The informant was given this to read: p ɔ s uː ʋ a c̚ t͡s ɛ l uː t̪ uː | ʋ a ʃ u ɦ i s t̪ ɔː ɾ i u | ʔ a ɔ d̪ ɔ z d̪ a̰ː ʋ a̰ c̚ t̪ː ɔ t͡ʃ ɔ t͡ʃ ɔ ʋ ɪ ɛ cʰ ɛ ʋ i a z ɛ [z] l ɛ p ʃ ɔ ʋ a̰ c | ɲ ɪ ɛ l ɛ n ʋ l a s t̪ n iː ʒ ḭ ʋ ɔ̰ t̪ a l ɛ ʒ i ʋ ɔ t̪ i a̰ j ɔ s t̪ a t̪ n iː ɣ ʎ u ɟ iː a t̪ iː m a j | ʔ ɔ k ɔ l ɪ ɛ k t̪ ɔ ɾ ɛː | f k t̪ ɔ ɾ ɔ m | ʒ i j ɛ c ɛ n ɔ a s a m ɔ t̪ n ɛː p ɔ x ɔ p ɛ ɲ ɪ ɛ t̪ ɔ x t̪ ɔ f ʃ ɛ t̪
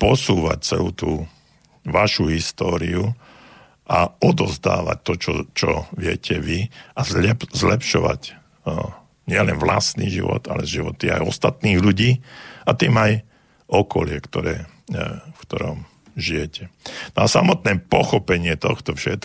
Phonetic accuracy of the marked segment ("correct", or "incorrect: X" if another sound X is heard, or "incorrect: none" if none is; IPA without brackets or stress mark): correct